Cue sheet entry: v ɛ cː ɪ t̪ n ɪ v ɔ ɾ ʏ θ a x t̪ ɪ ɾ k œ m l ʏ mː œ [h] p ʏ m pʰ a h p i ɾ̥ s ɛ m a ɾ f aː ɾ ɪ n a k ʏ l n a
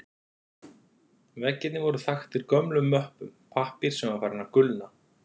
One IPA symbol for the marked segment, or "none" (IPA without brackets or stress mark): h